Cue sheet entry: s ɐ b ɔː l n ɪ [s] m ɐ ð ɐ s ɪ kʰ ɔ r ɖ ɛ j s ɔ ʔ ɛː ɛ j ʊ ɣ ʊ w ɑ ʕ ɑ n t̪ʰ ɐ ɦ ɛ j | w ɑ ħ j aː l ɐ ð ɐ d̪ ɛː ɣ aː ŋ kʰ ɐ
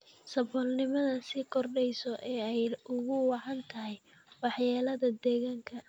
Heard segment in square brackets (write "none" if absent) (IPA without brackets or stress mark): none